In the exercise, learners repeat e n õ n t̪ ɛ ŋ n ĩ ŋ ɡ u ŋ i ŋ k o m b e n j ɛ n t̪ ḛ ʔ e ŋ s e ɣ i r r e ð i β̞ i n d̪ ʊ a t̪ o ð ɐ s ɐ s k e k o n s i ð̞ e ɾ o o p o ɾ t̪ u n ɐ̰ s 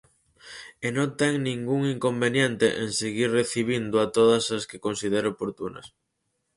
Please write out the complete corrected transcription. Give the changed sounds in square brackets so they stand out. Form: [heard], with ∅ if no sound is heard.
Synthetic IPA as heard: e n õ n t̪ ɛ ŋ n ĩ ŋ ɡ u ŋ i ŋ k o m b e n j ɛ n t̪ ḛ ʔ e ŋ s e ɣ i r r e [θ] i β̞ i n d̪ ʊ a t̪ o ð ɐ s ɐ s k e k o n s i ð̞ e ɾ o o p o ɾ t̪ u n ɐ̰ s